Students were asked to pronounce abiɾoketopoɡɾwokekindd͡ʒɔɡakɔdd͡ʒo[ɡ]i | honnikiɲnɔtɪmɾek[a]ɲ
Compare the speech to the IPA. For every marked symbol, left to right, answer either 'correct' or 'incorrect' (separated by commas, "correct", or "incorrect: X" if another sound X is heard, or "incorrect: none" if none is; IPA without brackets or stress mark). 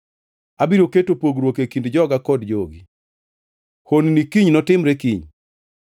correct, incorrect: i